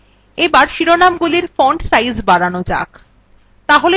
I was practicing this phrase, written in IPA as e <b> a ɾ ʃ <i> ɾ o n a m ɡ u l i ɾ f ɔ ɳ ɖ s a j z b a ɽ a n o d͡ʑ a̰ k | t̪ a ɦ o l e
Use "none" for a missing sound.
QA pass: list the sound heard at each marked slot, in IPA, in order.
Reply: b, i

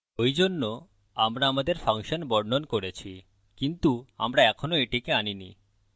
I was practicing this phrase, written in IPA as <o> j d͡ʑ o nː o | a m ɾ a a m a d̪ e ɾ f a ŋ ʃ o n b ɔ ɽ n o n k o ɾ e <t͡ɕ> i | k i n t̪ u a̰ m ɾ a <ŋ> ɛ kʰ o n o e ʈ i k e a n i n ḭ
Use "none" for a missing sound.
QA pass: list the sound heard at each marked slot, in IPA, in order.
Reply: o, t͡ɕʰ, none

